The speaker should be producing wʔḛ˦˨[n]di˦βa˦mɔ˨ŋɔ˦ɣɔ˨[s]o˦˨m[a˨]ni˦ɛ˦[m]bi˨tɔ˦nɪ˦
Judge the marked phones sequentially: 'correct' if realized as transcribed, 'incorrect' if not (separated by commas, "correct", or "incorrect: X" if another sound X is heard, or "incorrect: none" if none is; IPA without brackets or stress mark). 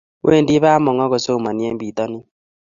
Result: correct, correct, correct, correct